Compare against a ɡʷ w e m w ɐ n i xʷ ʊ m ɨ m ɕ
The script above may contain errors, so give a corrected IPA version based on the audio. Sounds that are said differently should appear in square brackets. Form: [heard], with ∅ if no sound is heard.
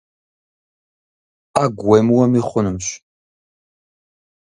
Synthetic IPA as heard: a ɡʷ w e m w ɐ [m] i [χʷ] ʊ [n] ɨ m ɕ